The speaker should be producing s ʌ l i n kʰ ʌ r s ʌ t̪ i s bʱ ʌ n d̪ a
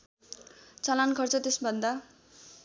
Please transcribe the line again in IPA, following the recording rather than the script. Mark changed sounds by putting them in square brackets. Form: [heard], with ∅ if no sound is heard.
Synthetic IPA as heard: [t͡s] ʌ l [a] n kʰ ʌ r [t͡s] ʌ t̪ [e] s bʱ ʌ n d̪ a